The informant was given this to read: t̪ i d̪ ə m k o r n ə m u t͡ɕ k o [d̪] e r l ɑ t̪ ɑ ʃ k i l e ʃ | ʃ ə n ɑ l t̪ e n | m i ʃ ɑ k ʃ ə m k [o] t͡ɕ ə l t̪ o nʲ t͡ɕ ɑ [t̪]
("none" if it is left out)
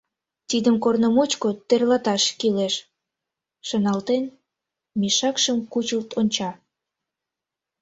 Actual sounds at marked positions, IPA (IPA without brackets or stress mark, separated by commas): t̪, u, none